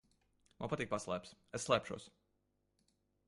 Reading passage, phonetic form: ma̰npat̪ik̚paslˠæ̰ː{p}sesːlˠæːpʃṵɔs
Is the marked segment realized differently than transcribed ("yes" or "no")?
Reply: no